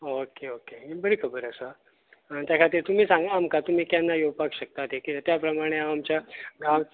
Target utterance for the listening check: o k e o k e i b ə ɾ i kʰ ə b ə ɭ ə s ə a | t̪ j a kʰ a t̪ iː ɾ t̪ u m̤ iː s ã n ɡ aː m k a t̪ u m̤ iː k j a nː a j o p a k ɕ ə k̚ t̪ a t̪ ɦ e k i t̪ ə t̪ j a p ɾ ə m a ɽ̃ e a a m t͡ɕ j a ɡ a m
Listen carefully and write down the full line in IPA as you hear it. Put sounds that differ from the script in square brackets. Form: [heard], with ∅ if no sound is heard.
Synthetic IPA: o k e o k e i b ə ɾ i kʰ ə b ə [ɾ] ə s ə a | t̪ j a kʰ a t̪ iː ɾ t̪ u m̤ iː s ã [ŋ] ɡ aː m k a t̪ u m̤ iː k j a nː a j o p a k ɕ ə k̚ t̪ a t̪ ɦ e k i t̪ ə t̪ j a p ɾ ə m a ɽ̃ e a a m t͡ɕ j a ɡ a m